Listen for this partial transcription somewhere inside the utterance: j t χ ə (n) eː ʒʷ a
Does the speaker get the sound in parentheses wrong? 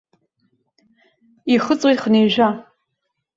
no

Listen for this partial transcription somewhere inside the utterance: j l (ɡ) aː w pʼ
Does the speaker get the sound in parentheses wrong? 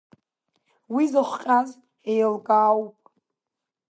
no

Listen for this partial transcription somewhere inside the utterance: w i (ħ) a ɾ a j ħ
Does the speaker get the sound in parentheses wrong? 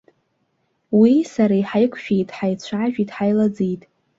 yes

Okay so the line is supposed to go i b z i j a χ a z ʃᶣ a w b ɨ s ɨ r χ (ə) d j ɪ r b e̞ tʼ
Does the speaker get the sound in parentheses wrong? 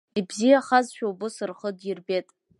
no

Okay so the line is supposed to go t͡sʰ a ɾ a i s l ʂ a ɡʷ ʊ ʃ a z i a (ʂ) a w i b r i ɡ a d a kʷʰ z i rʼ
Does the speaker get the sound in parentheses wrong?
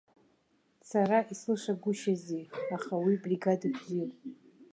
yes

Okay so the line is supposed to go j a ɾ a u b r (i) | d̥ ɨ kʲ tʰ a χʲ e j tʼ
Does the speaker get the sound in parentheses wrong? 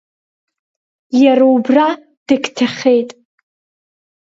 yes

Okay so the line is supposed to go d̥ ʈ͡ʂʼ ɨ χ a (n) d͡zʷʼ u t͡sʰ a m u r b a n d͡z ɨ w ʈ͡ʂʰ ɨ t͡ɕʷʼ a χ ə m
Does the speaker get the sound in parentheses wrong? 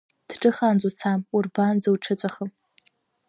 no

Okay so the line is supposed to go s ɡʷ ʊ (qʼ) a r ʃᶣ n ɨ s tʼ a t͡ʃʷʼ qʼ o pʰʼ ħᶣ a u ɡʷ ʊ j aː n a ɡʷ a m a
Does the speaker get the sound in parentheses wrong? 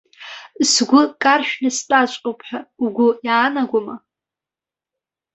yes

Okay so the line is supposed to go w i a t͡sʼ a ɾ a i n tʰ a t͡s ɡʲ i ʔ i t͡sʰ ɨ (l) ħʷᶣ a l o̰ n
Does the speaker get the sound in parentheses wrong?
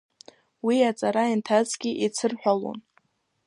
yes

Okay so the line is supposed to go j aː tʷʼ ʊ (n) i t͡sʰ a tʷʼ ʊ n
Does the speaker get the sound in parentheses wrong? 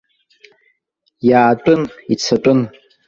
no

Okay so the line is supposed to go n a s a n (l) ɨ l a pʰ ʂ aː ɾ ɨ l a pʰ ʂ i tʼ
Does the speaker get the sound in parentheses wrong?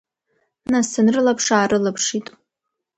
yes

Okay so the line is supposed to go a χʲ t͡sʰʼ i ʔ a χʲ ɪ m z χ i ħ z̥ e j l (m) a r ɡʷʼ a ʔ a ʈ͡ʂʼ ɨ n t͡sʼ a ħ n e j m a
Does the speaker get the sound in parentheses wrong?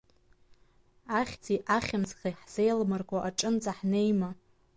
no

